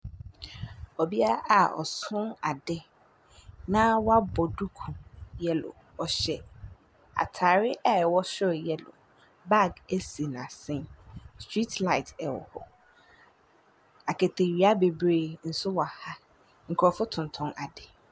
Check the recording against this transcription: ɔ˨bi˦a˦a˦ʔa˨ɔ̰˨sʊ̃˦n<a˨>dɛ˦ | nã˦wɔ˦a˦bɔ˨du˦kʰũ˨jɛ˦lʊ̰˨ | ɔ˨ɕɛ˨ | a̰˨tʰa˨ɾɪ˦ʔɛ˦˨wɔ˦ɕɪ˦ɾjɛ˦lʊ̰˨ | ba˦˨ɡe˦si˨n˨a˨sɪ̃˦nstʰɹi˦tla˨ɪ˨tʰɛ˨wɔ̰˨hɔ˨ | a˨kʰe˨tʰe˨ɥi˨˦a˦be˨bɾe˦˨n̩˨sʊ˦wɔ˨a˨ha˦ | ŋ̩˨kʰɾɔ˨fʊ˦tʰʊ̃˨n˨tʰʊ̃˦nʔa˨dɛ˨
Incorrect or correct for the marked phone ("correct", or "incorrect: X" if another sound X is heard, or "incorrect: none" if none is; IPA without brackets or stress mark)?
correct